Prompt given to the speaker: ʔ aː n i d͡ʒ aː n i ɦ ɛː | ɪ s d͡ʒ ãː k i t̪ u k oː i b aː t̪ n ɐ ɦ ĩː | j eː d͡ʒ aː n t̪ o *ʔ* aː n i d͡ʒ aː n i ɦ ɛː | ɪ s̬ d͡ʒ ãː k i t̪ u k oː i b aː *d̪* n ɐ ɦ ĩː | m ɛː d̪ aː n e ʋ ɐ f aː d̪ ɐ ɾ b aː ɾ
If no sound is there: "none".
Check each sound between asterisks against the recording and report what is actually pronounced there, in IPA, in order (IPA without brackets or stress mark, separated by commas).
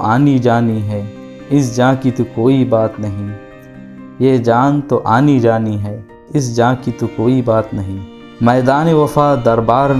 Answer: ʔ, t̪